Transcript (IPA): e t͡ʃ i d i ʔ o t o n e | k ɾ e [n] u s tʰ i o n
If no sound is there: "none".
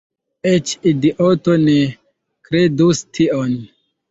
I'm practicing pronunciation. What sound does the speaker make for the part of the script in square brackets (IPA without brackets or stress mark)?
d